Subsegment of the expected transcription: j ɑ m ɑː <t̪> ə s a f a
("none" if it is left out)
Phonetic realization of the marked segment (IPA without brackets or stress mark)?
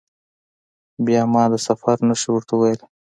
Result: d̪